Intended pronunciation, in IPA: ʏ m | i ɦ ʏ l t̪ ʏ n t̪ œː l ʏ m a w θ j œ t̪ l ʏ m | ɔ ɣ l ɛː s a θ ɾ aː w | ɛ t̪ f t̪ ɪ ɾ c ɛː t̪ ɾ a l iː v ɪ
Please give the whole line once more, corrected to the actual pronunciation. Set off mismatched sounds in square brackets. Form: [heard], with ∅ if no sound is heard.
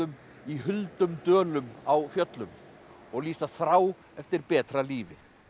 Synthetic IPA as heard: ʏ m | i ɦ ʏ l t̪ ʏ [m] t̪ œː l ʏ m a w [f] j œ t̪ l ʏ m | ɔ ɣ l [iː] s a θ ɾ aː w | ɛ [∅] f t̪ ɪ ɾ [p] ɛː t̪ ɾ a l iː v ɪ